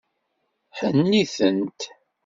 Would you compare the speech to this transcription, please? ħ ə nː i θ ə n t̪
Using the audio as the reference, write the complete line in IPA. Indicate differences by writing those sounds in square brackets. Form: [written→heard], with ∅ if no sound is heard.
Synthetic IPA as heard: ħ ə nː i θ ə n t̪